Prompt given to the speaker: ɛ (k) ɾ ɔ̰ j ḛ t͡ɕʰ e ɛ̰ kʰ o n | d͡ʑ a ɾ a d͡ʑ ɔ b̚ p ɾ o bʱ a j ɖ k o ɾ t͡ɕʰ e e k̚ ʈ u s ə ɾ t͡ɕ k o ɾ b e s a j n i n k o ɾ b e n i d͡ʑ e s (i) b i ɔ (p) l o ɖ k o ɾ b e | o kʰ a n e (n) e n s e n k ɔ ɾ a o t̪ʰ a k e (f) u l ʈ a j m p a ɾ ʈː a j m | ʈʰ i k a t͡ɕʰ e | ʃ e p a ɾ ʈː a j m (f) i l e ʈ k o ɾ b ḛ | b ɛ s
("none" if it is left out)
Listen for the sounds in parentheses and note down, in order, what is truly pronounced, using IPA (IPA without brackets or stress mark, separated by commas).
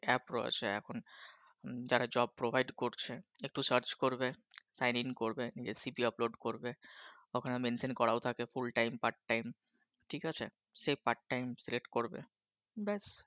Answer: p, i, p, m, f, s